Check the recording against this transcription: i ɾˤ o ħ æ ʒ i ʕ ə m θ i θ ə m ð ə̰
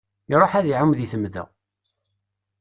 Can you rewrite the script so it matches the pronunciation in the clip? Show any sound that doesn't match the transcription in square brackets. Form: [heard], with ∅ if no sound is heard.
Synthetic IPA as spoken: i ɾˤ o ħ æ [ð] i ʕ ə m [ð] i θ ə m ð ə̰